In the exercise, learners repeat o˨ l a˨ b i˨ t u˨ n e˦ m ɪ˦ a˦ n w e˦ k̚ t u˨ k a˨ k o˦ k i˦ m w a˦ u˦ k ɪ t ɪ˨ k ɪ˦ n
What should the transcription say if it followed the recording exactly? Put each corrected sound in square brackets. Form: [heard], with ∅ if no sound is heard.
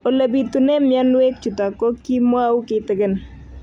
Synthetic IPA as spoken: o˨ l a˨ b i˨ t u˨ n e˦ m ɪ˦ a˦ n w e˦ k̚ [t͡ʃ] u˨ [t] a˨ k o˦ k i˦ m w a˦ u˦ k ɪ t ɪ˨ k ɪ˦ n